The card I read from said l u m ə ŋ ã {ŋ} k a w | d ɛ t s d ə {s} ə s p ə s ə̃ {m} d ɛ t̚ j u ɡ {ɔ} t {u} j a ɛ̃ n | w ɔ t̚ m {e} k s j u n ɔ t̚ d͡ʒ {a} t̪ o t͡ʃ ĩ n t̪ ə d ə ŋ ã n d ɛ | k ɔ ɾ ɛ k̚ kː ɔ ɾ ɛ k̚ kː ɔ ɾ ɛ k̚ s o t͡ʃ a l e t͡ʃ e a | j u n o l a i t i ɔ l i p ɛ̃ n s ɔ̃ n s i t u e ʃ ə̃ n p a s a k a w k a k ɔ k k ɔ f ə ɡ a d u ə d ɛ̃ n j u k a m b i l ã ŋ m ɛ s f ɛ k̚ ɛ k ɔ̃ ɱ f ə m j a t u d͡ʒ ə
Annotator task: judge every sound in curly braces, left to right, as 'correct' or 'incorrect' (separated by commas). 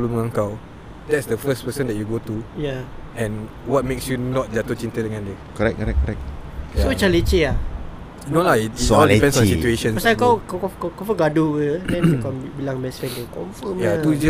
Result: correct, incorrect, incorrect, incorrect, correct, correct, correct